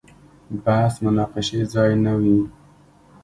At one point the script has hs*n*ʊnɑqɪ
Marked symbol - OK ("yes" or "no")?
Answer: no